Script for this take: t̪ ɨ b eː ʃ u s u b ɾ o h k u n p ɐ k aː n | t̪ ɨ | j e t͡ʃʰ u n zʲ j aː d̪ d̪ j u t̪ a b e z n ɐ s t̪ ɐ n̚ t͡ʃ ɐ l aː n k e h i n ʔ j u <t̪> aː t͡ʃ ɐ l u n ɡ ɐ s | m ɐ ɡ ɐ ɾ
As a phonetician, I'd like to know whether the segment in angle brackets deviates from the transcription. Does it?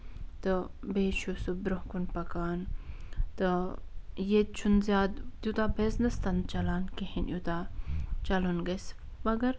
no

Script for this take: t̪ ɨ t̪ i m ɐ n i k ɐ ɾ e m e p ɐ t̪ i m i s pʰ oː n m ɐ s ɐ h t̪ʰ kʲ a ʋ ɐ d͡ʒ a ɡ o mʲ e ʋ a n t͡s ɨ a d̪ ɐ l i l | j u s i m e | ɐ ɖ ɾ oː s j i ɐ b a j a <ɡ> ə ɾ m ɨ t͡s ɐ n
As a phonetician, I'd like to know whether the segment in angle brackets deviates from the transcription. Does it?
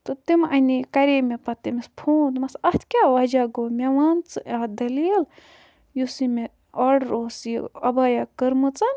yes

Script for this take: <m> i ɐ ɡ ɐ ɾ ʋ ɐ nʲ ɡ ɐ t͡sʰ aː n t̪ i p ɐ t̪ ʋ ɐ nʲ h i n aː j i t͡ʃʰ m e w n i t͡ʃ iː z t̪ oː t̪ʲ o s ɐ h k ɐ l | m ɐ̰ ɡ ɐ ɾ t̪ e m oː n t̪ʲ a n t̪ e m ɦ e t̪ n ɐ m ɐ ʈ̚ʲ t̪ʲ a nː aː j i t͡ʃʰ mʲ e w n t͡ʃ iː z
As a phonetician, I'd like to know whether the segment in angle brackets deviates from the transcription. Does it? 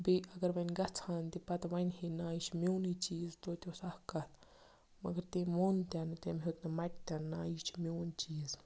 yes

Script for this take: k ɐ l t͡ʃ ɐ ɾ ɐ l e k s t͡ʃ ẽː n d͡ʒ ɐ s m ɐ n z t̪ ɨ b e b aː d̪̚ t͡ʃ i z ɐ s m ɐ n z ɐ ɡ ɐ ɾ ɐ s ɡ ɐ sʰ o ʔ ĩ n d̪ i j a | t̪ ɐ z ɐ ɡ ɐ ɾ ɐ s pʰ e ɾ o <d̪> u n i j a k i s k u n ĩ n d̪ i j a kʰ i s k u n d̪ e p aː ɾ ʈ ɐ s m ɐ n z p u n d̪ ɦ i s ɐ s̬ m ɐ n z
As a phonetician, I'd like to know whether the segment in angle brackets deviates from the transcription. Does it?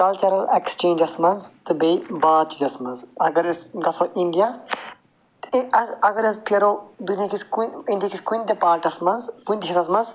no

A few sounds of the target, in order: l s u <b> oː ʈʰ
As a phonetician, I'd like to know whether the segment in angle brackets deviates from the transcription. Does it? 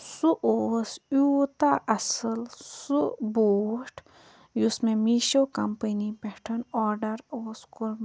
no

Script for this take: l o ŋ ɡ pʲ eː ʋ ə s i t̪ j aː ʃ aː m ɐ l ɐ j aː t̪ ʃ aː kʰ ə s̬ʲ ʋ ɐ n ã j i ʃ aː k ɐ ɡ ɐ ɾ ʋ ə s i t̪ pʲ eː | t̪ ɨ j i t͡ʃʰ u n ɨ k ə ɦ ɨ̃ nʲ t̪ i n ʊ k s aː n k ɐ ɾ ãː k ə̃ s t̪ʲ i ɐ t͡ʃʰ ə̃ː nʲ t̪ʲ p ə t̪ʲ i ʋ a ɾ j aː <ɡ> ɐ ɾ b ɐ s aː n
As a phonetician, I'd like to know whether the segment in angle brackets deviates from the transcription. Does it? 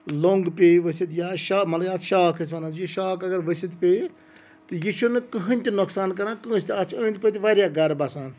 no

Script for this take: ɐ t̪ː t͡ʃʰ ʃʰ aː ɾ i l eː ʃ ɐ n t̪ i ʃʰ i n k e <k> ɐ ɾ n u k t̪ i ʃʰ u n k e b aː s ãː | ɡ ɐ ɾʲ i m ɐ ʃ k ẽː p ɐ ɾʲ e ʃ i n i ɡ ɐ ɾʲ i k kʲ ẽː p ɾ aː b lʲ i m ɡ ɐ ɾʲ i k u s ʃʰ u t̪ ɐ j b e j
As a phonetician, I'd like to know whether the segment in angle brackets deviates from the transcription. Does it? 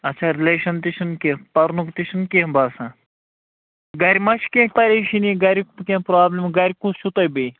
yes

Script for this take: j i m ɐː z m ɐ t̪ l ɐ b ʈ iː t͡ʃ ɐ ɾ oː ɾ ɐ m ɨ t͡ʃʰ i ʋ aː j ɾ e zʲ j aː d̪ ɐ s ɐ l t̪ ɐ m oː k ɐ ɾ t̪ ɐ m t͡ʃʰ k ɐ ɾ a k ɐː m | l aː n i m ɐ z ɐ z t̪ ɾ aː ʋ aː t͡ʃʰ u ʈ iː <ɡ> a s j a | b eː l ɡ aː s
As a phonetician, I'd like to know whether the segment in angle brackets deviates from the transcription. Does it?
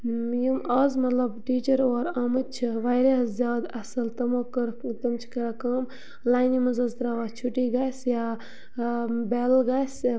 no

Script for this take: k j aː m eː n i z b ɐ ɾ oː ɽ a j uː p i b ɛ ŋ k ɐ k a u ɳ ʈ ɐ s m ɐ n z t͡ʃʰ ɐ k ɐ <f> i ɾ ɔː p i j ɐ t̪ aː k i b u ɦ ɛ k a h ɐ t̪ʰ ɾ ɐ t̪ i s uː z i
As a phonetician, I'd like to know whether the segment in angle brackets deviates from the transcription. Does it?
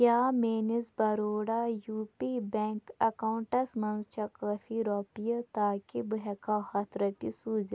no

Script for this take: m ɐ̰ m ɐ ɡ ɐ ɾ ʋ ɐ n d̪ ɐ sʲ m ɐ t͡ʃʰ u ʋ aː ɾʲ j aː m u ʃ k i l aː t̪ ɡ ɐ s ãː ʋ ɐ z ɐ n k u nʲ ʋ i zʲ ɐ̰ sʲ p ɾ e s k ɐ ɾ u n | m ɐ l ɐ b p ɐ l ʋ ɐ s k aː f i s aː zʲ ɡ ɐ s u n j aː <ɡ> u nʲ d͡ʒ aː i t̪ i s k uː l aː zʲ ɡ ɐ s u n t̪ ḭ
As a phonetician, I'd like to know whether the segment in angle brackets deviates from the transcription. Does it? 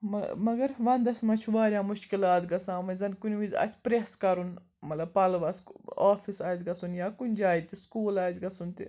yes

